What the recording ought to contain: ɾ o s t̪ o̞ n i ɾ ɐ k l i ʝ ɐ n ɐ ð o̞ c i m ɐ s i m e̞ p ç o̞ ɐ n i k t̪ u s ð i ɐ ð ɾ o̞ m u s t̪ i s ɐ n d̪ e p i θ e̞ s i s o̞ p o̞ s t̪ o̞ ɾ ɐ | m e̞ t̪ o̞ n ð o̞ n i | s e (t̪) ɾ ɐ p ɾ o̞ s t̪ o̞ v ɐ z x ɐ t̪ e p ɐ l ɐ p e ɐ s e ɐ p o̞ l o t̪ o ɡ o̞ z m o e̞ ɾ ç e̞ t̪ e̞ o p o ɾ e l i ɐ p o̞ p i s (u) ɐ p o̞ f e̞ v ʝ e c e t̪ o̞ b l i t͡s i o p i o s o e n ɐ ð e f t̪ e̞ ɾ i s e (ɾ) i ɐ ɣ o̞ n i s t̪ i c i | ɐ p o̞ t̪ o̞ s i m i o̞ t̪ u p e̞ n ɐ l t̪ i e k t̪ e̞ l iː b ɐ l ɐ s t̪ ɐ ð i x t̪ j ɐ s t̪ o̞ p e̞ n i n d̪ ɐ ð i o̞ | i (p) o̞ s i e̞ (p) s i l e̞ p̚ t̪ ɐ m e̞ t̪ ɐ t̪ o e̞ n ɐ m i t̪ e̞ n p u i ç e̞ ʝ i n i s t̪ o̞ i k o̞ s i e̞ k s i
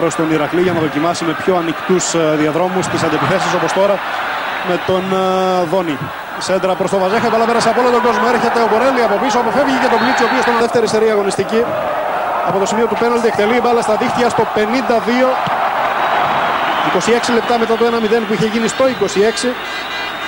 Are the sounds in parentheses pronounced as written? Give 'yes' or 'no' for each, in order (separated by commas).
no, no, yes, no, no